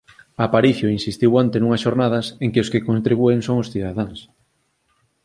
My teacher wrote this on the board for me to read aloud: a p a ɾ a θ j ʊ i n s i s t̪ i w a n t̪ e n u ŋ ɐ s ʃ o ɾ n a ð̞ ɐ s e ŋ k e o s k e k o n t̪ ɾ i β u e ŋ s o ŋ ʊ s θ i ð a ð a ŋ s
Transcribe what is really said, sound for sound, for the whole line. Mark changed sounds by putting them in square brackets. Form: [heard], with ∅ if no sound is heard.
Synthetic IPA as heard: a p a ɾ [i] θ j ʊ i n s i s t̪ i w a n t̪ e n u ŋ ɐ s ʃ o ɾ n a ð̞ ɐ s e ŋ k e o s k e k o n t̪ ɾ i β u e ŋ s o ŋ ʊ s θ i ð a ð a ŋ s